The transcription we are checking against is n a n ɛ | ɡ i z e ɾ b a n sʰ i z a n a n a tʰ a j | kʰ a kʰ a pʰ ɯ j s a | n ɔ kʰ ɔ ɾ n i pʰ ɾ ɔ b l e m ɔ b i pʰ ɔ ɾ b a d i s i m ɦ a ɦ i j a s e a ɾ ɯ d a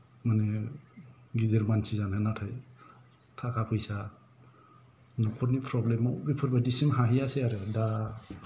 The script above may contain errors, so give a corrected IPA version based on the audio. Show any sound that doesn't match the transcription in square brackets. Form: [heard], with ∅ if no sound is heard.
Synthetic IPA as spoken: [m] a n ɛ | ɡ i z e ɾ [m] a n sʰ i z a n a n a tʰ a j | [tʰ] a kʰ a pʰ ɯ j s a | n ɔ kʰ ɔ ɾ n i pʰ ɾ ɔ b l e m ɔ b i pʰ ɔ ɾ b a d i s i m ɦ a ɦ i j a s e a ɾ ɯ d a